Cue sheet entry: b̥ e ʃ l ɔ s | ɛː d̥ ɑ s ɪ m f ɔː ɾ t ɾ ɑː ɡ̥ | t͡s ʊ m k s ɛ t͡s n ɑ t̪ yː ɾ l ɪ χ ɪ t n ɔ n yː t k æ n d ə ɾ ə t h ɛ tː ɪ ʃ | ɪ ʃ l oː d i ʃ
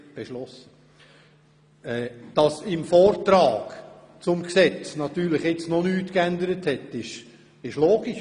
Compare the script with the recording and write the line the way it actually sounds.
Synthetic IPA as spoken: b̥ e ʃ l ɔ s | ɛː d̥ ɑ s ɪ m f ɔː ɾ t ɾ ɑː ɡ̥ | t͡s ʊ m k s ɛ t͡s n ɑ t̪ yː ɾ l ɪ χ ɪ t͡s n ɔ n yː t k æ n d ə ɾ ə t h ɛ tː ɪ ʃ | ɪ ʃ l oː ɡ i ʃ